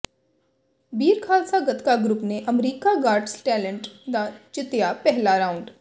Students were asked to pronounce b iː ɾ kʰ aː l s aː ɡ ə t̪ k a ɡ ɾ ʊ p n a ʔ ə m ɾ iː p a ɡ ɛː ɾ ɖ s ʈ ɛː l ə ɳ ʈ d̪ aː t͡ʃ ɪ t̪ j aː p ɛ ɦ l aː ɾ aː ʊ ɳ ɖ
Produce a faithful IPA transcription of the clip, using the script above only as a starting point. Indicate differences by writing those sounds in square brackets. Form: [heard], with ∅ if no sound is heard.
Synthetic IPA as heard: b iː ɾ kʰ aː l s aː ɡ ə t̪ k a ɡ ɾ ʊ p n [e] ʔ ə m ɾ iː [k] a ɡ [aː] ɾ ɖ s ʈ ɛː l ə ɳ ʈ d̪ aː t͡ʃ ɪ t̪ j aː p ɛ ɦ l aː ɾ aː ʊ ɳ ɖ